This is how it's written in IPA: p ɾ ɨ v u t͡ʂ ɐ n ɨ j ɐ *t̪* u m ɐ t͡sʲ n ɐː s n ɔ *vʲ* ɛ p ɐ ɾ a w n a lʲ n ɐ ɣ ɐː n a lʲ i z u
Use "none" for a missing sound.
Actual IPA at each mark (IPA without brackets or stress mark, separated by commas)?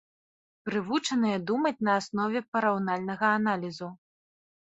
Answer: d̪, vʲ